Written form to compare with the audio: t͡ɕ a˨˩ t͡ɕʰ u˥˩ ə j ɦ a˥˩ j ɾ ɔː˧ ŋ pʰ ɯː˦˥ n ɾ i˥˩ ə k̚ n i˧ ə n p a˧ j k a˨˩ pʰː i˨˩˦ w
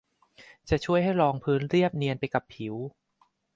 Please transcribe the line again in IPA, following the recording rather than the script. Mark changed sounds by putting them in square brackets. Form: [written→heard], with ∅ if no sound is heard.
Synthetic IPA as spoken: t͡ɕ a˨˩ t͡ɕʰ u˥˩ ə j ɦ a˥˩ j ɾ ɔː˧ ŋ pʰ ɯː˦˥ n ɾ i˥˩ ə [k̚→p̚] n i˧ ə n p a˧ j k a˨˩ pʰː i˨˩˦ w

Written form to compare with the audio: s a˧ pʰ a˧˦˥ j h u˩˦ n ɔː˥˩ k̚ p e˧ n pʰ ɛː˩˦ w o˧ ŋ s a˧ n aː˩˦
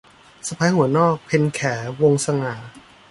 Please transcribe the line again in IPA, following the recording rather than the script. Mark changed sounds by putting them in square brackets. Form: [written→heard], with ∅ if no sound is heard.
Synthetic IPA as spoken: s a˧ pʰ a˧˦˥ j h u˩˦ n ɔː˥˩ k̚ [p→pʰ] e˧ n [pʰ→kʰ] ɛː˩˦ w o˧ ŋ s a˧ [n→ŋ] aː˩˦

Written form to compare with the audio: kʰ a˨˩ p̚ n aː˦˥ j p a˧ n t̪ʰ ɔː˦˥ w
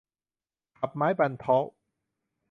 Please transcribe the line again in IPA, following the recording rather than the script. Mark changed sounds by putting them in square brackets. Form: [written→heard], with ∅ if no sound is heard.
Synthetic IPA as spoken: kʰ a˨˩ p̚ [n→m] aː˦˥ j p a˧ n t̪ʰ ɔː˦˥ w

